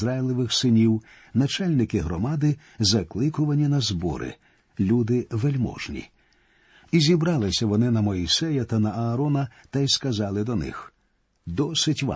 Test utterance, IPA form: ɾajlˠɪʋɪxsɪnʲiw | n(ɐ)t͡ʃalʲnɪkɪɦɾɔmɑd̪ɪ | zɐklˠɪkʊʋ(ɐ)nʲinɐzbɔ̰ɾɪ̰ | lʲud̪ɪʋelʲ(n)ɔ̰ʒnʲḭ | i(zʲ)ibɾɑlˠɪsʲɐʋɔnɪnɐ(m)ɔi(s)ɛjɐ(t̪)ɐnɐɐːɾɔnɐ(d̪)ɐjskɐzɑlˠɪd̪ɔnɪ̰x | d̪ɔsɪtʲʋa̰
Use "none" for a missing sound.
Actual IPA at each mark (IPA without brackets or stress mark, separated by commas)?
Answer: ɐ, ɐ, m, zʲ, m, s, t̪, t̪